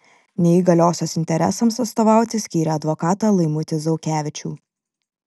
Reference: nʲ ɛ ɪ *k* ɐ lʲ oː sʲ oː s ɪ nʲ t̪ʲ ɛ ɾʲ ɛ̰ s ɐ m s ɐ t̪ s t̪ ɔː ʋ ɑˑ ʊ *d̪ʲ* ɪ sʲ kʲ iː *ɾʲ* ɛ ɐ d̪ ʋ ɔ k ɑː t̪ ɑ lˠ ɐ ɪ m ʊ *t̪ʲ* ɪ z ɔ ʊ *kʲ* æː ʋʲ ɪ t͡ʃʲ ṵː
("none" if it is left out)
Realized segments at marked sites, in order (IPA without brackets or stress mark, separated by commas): ɡ, t̪ʲ, ɾʲ, t̪ʲ, kʲ